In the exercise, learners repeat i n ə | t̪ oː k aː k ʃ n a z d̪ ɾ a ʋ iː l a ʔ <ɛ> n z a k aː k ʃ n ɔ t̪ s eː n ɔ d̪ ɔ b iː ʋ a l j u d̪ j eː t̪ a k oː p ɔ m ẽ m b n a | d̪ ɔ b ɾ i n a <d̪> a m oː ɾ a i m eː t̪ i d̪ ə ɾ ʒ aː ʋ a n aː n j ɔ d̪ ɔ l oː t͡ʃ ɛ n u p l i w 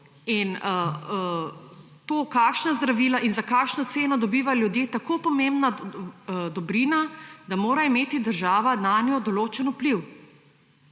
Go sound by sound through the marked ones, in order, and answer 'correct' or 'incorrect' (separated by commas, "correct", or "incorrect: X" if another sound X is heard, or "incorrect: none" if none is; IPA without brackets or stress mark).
incorrect: i, correct